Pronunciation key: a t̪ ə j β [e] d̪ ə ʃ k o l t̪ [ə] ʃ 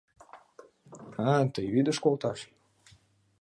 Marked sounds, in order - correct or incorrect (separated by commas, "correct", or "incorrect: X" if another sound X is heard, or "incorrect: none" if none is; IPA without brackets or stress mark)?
incorrect: i, incorrect: ɑ